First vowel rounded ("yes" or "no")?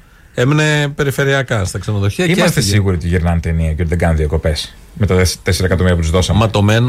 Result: no